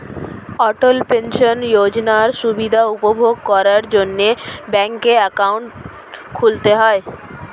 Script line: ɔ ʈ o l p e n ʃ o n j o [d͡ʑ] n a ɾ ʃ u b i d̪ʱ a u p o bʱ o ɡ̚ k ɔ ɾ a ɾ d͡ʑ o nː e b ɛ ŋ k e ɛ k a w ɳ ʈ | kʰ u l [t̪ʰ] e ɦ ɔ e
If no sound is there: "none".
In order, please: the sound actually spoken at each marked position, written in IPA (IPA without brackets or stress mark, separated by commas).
d͡ʑ, t̪